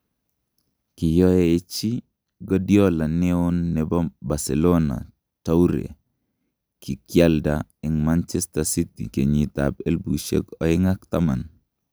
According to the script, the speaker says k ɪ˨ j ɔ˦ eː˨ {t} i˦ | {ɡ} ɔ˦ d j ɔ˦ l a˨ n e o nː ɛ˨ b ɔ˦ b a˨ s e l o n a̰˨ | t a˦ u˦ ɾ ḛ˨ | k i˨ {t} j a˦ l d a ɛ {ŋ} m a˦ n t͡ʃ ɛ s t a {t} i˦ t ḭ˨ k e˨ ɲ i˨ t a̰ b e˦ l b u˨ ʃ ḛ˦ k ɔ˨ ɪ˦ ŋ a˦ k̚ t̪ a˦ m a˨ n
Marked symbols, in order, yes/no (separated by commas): no, yes, no, yes, no